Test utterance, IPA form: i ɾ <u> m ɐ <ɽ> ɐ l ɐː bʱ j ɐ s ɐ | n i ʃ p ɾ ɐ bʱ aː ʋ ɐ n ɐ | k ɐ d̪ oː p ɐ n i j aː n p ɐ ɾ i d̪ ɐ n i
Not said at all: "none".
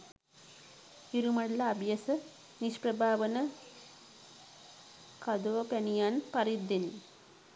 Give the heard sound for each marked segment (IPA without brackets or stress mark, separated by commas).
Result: u, ɽ